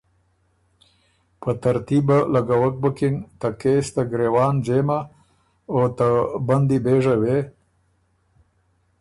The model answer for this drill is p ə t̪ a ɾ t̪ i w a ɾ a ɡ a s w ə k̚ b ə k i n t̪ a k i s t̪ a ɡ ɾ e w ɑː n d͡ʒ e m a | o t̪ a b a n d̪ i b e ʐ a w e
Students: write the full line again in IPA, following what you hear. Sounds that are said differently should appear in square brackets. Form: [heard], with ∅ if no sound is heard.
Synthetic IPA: p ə t̪ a ɾ t̪ i [b] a [l] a ɡ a [∅] w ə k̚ b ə k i n t̪ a k [e] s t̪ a ɡ ɾ e w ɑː n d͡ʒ e m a | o t̪ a b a n d̪ i b e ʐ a w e